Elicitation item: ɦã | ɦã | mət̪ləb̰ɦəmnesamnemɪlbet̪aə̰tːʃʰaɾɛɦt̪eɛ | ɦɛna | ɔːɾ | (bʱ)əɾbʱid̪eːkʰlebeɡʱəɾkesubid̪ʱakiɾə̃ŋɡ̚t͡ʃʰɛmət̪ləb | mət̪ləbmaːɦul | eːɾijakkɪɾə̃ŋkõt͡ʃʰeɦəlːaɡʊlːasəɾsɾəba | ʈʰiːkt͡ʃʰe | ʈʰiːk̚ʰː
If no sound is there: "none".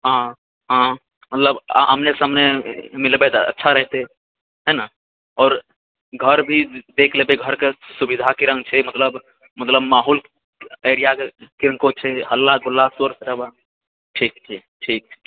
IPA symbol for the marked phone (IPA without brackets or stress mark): ɡʱ